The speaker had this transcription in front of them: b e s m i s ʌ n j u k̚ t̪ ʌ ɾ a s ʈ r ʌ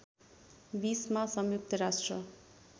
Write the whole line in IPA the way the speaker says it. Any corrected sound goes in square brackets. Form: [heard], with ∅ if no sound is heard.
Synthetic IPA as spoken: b [i] s m [a] s ʌ [m] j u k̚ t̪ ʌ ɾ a s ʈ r ʌ